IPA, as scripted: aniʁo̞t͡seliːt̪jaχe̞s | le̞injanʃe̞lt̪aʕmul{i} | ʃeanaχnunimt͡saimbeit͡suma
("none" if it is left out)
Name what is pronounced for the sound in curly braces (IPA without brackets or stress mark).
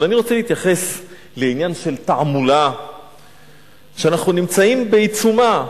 a